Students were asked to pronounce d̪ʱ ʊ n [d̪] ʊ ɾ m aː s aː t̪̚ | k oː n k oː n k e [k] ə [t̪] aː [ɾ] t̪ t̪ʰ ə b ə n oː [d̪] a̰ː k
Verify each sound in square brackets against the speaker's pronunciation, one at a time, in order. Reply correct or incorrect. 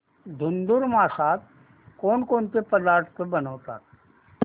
correct, incorrect: p, incorrect: d̪, correct, incorrect: t̪

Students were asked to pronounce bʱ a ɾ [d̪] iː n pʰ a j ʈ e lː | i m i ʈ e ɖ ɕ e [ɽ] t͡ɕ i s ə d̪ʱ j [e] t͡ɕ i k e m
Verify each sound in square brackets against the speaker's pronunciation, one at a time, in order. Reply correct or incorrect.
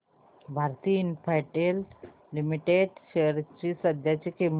incorrect: t̪, incorrect: ɾ, incorrect: a

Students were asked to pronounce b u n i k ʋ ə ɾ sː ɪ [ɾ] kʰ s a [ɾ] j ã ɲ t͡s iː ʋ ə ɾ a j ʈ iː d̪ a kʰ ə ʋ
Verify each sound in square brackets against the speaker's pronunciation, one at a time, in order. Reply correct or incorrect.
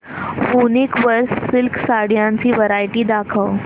incorrect: l, incorrect: ɽ

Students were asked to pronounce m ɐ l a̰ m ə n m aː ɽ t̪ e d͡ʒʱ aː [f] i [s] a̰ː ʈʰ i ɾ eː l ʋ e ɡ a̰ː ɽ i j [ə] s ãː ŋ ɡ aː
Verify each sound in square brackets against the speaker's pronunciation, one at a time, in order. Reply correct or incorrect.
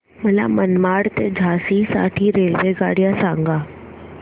incorrect: s, correct, incorrect: a

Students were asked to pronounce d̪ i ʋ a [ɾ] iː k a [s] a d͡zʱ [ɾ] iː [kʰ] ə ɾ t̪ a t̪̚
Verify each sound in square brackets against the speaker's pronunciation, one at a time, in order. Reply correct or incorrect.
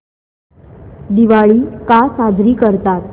incorrect: ɭ, correct, correct, incorrect: k

